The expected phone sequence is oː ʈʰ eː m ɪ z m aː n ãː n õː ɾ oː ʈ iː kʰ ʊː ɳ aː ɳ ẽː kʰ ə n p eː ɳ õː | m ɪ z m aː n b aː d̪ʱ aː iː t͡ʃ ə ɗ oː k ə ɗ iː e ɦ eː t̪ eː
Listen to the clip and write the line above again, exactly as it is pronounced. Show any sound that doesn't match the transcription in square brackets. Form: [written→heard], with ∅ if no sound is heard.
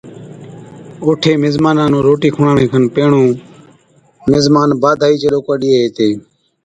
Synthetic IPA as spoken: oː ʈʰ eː m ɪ z m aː n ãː n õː ɾ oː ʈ iː kʰ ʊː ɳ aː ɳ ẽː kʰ ə n p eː ɳ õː | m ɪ z m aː n b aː d̪ʱ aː iː t͡ʃ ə ɗ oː k ə ɗ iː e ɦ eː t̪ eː